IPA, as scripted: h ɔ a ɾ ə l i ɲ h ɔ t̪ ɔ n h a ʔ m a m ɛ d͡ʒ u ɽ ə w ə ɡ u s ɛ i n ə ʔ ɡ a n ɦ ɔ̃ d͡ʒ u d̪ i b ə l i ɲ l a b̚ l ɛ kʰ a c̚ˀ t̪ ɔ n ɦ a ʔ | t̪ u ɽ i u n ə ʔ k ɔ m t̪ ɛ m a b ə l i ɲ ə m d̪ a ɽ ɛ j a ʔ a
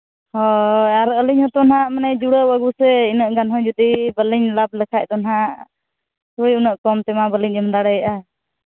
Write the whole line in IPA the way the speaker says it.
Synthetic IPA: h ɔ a ɾ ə l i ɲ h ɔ t̪ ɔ n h a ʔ m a n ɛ d͡ʒ u ɽ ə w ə ɡ u s ɛ i n ə ʔ ɡ a n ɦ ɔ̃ d͡ʒ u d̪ i b ə l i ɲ l a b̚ l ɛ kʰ a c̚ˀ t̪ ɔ n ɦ a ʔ | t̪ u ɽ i u n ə ʔ k ɔ m t̪ ɛ m a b ə l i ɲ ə m d̪ a ɽ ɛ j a ʔ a

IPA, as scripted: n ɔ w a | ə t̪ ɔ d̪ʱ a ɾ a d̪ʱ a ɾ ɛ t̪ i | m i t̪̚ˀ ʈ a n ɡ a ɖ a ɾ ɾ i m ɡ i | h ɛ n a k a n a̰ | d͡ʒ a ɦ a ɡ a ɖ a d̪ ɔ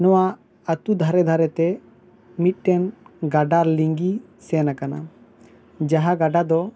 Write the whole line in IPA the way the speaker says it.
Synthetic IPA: n ɔ w a | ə t̪ u d̪ʱ a ɾ ɛ d̪ʱ a ɾ ɛ t̪ ɛ | m i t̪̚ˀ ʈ ɛ n ɡ a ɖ a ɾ l i ŋ ɡ i | s ɛ n a k a n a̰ | d͡ʒ a ɦ a ɡ a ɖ a d̪ ɔ

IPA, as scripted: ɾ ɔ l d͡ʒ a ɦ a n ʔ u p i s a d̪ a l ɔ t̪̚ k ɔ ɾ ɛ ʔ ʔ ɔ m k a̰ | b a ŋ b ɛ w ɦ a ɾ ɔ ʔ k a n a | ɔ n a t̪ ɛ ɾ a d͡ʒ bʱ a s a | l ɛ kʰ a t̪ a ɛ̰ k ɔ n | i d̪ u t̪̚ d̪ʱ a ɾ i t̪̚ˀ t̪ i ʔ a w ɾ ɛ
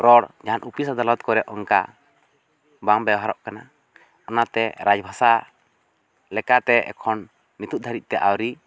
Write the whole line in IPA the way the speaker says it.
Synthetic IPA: ɾ ɔ ɽ d͡ʒ a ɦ a n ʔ u p i s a d̪ a l ɔ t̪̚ k ɔ ɾ ɛ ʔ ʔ ɔ ŋ k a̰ | b a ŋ b ɛ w ɦ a ɾ ɔ ʔ k a n a | ɔ n a t̪ ɛ ɾ a d͡ʒ bʱ a s a | l ɛ k a t̪ ɛ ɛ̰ kʰ ɔ nː | i t̪ u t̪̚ d̪ʱ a ɾ i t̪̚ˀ t̪ ɛ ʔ a w ɾ i

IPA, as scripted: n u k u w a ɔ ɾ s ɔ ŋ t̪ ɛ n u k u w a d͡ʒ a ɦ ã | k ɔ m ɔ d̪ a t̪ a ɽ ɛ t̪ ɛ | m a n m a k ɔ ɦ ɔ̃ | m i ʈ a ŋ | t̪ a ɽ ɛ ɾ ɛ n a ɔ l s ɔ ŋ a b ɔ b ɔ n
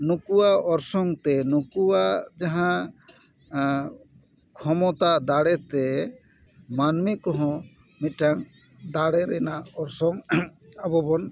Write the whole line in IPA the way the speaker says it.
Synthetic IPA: n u k u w a ɔ ɾ s ɔ ŋ t̪ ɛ n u k u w a d͡ʒ a ɦ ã | kʰ ɔ m ɔ t̪ a d̪ a ɽ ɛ t̪ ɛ | m a n m i k ɔ ɦ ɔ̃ | m i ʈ a ŋ | d̪ a ɽ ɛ ɾ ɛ n a ɔ ɾ s ɔ ŋ a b ɔ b ɔ n

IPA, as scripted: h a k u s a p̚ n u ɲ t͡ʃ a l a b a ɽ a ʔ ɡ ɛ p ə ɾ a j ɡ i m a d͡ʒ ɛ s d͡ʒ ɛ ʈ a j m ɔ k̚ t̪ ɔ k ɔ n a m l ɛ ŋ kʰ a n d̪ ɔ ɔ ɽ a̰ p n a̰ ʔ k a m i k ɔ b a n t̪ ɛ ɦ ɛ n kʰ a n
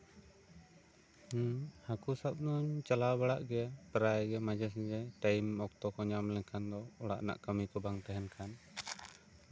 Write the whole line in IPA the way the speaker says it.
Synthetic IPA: h a k u s a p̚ n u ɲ t͡ʃ a l a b a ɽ a ʔ ɡ ɛ p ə ɾ a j ɡ ɛ m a d͡ʒ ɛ s d͡ʒ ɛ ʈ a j m ɔ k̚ t̪ ɔ k ɔ ɲ a m l ɛ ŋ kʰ a n d̪ ɔ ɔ ɽ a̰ ʔ n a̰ ʔ k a m i k ɔ b a ŋ t̪ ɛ ɦ ɛ n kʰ a n

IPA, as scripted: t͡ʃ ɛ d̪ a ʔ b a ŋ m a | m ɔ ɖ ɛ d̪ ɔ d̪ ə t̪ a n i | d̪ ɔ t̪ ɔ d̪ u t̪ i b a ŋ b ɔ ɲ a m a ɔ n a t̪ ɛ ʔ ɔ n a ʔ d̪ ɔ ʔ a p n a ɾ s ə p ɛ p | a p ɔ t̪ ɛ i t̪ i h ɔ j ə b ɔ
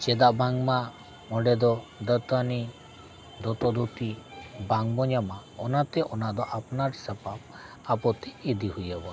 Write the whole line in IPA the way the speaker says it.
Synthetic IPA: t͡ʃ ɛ d̪ a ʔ b a ŋ m a | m ɔ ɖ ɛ d̪ ɔ d̪ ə t̪ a n i | d̪ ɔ t̪ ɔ d̪ u t̪ i b a ŋ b ɔ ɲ a m a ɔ n a t̪ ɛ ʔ ɔ n a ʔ d̪ ɔ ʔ a p n a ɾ s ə p a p | a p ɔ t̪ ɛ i d̪ i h u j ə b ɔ

